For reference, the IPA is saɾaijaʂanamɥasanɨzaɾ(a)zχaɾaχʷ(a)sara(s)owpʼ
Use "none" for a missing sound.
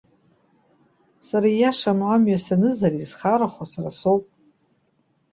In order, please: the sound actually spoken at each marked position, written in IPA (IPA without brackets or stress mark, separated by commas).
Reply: i, a, s